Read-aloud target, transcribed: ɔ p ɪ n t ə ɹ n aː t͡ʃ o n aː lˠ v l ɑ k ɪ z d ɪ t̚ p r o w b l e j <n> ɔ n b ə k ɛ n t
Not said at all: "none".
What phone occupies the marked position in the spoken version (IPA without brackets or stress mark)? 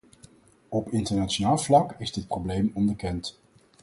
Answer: m